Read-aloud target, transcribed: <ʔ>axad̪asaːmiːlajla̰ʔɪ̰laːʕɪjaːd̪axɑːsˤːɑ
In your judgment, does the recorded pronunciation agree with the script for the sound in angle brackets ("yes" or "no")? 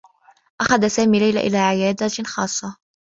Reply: yes